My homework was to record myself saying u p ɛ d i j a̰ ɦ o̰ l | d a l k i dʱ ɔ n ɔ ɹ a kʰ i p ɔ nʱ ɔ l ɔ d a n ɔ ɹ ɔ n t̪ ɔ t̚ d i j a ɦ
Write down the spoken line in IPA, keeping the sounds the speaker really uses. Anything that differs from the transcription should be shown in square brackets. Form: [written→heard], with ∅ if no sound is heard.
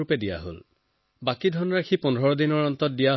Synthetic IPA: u p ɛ d i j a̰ ɦ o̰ l | [d→b] a [l→∅] k i dʱ ɔ n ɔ ɹ a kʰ i p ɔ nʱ ɔ [l→ɹ] ɔ d [a→i] n ɔ ɹ ɔ n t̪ ɔ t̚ d i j a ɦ